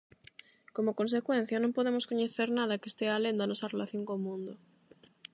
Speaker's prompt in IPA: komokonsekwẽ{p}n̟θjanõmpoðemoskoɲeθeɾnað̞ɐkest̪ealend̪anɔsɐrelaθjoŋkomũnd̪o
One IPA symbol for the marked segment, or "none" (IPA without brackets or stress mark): none